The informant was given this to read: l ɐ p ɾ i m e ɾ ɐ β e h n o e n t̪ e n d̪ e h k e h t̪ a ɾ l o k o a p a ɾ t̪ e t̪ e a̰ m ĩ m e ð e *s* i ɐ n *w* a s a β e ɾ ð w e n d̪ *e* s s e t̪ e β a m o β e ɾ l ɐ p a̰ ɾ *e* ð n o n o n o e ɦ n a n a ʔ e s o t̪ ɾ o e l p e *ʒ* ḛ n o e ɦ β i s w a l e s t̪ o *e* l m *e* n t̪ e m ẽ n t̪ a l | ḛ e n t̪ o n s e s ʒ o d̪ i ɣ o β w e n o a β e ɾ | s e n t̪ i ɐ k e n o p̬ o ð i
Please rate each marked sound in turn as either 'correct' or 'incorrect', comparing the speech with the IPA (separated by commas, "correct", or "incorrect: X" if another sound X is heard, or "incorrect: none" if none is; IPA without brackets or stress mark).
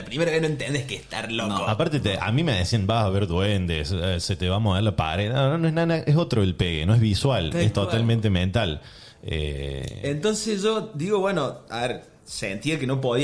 correct, incorrect: b, correct, correct, incorrect: ɣ, incorrect: a, incorrect: ẽ